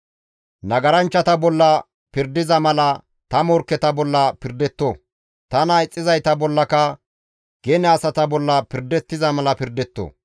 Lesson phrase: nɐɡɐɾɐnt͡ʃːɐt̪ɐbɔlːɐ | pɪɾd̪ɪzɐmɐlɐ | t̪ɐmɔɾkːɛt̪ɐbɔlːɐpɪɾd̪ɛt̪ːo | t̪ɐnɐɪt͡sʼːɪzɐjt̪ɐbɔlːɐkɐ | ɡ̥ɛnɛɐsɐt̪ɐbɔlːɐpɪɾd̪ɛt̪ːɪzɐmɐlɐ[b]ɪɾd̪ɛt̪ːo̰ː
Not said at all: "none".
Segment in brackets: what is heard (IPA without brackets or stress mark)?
p